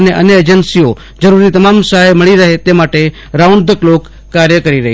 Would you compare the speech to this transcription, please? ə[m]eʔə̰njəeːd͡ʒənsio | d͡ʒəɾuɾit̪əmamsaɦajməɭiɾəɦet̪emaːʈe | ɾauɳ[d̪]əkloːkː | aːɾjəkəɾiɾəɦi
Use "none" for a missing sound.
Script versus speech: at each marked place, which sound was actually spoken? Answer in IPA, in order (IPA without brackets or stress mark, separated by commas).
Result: n, d̪